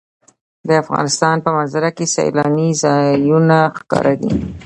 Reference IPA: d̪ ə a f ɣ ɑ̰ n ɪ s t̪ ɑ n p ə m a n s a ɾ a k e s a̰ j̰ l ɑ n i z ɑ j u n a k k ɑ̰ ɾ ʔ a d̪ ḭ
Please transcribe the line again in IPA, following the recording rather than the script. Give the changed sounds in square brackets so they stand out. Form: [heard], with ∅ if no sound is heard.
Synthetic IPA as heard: d̪ ə a f ɣ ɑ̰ n ɪ s t̪ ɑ n p ə m a n [z] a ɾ a k e s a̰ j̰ l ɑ n i z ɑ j u n a [x] k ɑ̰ ɾ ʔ a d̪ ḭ